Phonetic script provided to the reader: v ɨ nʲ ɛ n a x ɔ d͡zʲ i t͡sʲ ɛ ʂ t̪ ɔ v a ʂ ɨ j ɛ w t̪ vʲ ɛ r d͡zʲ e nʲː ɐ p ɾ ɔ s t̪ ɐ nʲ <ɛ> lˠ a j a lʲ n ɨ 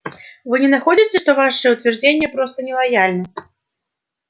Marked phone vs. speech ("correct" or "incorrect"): correct